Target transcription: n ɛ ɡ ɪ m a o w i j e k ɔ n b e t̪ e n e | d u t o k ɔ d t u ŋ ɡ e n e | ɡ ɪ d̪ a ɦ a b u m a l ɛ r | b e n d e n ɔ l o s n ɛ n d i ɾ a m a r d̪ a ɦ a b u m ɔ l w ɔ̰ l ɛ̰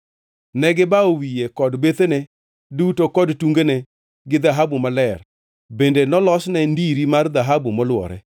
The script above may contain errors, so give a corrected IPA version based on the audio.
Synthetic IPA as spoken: n ɛ ɡ ɪ b a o w i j e k ɔ d b e t̪ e n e | d u t o k ɔ d t u ŋ ɡ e n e | ɡ ɪ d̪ a ɦ a b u m a l ɛ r | b e n d e n ɔ l ɔ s n ɛ n d i ɾ i m a r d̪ a ɦ a b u m ɔ l w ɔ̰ ɾ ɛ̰

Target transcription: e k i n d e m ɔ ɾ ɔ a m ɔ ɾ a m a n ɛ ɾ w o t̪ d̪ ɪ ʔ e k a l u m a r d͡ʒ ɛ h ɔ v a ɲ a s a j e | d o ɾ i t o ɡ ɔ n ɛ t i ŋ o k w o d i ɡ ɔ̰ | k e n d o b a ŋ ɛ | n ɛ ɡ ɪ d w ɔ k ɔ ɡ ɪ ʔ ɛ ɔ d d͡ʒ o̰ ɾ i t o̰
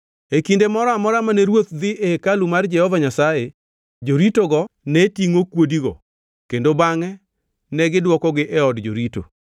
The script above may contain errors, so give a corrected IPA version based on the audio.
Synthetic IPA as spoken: e k i n d e m ɔ ɾ ɔ a m ɔ ɾ a m a n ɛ ɾ w o t̪ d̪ ɪ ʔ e k a l u m a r d͡ʒ ɛ h ɔ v a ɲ a s a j e | d͡ʒ o ɾ i t o ɡ ɔ n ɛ t i ŋ o k w o d i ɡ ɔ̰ | k e n d o b a ŋ ɛ | n ɛ ɡ ɪ d w ɔ k ɔ ɡ ɪ ʔ ɛ ɔ d d͡ʒ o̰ ɾ i t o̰

